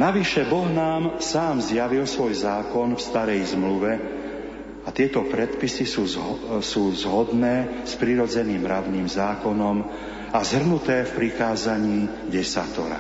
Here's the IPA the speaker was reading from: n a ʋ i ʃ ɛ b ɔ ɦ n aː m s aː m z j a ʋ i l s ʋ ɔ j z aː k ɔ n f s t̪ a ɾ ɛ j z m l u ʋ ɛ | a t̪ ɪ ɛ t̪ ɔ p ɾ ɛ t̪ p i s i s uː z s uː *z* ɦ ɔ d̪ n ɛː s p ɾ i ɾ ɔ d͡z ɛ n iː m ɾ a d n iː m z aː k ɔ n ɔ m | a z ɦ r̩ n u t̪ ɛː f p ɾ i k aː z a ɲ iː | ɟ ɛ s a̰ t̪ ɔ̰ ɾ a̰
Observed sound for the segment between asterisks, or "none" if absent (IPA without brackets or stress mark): z